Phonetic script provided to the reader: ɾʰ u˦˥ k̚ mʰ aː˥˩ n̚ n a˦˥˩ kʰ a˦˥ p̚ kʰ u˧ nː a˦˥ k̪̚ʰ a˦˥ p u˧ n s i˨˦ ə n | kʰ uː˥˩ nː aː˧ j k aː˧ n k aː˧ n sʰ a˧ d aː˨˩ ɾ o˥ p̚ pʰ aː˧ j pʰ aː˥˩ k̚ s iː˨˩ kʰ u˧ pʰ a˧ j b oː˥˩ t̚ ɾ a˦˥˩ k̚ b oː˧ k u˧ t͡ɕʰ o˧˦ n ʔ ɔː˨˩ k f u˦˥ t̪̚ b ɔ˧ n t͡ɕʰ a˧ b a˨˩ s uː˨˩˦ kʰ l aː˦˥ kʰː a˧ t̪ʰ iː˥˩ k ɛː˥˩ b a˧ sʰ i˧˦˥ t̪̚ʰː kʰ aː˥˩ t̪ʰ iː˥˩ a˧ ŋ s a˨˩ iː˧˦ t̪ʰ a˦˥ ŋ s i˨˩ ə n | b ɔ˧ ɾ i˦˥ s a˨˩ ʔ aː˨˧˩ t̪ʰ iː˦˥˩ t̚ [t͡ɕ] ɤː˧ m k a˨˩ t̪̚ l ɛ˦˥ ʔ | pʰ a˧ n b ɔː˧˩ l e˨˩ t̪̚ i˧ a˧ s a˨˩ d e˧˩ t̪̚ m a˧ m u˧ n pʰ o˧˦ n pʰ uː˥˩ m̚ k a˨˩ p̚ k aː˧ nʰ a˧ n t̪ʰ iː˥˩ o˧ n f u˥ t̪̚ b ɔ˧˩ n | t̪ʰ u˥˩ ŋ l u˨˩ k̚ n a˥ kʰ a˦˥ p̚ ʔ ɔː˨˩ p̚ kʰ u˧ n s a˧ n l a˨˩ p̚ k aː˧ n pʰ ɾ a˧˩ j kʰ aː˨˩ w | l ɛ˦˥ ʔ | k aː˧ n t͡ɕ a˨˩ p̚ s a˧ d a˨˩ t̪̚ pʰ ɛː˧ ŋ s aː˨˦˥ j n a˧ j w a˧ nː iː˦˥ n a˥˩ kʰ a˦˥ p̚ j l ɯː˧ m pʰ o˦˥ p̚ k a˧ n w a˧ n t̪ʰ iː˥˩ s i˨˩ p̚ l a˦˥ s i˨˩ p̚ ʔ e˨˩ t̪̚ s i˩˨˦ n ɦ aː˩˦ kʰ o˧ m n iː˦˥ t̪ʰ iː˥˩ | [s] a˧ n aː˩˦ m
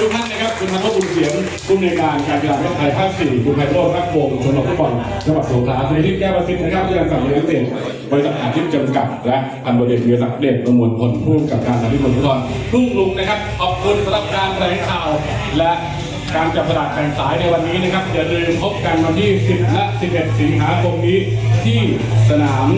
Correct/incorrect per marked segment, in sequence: correct, correct

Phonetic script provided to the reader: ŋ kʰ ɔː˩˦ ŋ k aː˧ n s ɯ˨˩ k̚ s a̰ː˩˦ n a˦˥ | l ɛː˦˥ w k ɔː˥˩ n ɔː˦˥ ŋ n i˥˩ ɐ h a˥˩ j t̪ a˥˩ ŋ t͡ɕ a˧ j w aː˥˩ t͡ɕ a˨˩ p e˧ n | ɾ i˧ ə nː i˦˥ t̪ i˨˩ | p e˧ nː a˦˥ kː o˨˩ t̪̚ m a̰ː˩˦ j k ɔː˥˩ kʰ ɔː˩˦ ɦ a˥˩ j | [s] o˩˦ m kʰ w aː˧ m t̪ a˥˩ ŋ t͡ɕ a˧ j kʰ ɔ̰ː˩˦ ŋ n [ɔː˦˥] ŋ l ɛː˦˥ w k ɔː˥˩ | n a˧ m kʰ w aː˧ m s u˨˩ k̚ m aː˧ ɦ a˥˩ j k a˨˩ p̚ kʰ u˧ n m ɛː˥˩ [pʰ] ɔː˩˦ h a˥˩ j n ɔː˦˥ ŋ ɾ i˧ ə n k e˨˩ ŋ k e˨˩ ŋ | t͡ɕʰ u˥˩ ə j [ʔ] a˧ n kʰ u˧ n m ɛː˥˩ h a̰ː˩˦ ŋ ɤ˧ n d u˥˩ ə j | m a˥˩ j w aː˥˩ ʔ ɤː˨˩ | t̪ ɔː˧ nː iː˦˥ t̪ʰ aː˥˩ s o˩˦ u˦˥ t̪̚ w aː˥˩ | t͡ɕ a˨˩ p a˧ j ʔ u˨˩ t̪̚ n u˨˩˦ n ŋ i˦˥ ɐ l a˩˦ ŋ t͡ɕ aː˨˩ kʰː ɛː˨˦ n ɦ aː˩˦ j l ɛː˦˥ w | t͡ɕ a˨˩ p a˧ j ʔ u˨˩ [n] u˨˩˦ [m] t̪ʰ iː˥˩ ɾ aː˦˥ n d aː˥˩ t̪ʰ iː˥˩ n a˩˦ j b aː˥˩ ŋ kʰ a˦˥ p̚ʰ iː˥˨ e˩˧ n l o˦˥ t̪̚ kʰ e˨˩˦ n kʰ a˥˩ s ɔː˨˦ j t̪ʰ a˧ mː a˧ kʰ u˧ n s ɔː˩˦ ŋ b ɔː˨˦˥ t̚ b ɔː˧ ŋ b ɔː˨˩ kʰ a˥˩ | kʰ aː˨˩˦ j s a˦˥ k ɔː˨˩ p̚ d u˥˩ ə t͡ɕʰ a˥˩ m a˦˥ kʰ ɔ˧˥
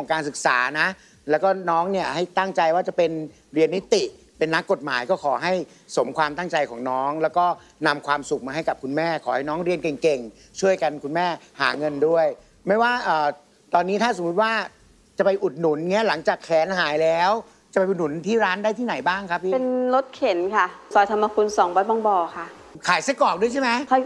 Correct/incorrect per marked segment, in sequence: correct, correct, incorrect: kʰ, incorrect: k, correct, incorrect: n

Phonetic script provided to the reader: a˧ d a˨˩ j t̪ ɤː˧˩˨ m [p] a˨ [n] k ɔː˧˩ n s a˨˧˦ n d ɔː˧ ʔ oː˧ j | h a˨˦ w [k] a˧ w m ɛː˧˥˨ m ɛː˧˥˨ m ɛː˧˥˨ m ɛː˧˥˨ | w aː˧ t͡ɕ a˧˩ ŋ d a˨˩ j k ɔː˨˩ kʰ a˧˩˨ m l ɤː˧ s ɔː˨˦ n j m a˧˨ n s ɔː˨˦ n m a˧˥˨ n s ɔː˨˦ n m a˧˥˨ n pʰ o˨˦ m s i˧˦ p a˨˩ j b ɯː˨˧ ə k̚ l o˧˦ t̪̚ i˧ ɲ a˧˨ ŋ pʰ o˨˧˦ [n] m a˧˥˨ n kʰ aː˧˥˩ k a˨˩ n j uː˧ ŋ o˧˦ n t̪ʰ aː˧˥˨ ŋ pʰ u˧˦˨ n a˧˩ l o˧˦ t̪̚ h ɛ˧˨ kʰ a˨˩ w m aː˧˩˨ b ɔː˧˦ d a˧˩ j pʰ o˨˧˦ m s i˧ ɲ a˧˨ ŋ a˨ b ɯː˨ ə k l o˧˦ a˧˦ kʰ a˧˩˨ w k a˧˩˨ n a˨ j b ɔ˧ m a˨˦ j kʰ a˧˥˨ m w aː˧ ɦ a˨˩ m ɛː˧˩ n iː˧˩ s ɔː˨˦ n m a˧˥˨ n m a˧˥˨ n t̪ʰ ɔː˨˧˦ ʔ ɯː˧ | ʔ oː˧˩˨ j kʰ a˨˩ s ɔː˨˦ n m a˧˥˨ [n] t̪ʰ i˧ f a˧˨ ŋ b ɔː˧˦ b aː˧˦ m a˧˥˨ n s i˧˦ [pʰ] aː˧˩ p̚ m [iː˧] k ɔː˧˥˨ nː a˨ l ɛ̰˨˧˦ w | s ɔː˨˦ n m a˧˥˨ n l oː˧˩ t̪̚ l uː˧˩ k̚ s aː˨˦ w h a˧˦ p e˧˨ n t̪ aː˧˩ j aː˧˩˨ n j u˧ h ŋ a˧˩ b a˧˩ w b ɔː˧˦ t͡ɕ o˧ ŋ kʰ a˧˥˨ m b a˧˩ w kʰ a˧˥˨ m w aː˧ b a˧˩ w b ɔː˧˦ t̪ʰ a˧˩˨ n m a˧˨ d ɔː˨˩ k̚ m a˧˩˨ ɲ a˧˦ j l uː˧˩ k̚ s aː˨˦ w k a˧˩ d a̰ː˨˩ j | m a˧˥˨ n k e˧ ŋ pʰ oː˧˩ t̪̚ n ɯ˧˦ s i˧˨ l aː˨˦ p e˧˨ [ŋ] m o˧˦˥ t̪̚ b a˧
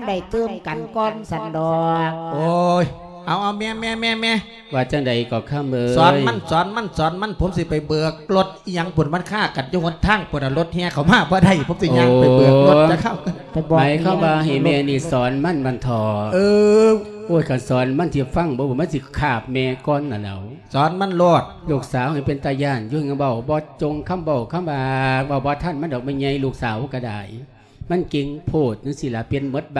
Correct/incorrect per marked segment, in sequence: incorrect: k, correct, incorrect: ʔ, correct, correct, incorrect: kʰ, incorrect: ɛː˧, incorrect: n

